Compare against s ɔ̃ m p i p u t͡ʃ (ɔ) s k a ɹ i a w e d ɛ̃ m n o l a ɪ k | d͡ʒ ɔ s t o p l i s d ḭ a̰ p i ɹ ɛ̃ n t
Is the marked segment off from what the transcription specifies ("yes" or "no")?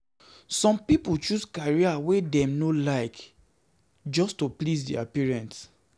yes